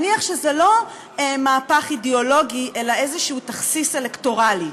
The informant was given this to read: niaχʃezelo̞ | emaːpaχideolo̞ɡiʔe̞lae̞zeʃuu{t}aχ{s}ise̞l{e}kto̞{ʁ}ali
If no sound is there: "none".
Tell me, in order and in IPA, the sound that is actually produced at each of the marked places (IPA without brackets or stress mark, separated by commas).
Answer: t, s, e, ʁ